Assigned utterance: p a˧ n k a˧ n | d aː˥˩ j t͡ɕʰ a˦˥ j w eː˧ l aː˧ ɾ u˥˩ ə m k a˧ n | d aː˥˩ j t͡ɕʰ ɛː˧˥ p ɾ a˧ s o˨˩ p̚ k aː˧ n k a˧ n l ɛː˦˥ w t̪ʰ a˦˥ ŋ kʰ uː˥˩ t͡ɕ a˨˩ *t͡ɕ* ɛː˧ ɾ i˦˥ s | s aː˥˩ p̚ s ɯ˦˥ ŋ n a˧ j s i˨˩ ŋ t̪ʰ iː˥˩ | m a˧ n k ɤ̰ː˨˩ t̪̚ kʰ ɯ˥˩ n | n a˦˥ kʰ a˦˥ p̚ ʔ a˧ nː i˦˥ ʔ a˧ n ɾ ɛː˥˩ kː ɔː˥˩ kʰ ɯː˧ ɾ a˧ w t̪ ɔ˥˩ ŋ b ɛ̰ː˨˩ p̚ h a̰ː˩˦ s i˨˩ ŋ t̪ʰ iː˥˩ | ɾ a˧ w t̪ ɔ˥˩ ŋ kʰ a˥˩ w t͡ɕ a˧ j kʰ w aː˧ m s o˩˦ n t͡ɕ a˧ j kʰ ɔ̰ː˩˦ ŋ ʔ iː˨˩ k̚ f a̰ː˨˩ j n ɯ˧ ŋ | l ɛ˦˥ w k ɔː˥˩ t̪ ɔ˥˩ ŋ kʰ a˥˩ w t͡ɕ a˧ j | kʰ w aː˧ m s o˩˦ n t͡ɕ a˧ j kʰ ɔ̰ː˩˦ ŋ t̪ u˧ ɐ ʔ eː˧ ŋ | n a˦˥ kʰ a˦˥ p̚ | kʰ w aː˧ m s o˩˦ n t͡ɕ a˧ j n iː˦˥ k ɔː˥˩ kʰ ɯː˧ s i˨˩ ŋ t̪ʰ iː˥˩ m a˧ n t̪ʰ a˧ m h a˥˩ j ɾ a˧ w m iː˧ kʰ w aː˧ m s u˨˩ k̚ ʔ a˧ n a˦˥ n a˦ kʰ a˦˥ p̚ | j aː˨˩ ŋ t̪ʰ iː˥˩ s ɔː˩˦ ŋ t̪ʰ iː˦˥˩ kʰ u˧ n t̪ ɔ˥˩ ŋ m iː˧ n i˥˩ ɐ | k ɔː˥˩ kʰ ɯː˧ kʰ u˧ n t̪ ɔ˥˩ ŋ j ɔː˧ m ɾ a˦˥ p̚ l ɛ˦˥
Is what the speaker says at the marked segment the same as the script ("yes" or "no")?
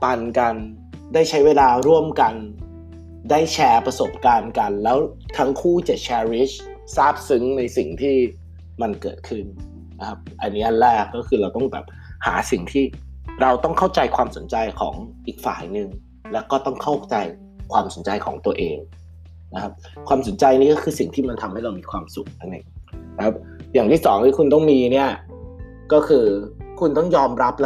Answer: no